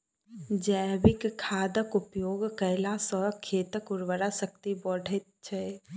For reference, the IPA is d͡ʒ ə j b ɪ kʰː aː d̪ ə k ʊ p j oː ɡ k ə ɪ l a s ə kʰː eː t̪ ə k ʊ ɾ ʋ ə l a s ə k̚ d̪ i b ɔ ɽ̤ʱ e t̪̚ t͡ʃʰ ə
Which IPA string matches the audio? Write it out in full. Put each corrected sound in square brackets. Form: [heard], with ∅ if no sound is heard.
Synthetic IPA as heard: d͡ʒ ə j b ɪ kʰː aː d̪ ə k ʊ p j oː ɡ k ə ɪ l a s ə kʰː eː t̪ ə k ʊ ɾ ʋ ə [ɾ] a s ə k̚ [t̪] i b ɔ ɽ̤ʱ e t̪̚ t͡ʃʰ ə